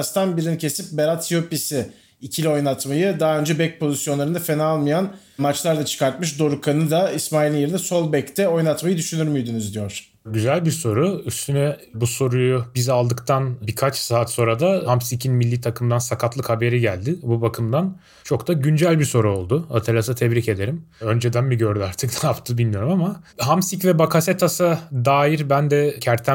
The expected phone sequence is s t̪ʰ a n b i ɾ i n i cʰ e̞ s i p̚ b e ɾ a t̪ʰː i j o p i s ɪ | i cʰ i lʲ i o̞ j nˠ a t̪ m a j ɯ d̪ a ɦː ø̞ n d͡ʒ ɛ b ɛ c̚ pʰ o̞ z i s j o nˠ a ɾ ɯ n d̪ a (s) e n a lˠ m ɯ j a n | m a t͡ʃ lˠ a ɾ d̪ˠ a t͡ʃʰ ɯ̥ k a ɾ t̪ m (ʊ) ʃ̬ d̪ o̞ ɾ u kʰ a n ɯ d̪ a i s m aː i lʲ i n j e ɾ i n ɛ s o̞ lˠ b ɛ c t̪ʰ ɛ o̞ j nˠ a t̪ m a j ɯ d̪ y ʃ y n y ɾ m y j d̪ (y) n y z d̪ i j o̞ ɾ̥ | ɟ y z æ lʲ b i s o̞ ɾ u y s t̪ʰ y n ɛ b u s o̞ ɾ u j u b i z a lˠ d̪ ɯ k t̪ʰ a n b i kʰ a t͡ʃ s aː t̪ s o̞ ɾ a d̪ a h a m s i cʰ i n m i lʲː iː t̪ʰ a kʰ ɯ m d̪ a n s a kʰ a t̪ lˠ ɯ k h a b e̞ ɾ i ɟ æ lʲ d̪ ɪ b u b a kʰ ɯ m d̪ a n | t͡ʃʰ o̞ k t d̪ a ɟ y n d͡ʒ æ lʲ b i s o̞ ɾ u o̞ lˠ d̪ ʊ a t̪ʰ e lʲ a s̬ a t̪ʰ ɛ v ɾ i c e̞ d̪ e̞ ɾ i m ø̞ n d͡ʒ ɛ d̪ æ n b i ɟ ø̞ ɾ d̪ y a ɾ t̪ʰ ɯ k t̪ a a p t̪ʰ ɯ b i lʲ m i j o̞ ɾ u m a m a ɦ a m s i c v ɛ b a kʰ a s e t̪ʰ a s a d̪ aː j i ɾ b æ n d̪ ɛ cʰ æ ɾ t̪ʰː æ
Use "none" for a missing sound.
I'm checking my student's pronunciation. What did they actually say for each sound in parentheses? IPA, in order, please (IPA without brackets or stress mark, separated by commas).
f, ɯ, y